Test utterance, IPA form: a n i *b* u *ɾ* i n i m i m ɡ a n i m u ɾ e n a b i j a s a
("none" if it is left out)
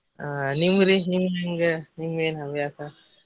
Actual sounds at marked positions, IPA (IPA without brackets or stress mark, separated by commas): m, ɾ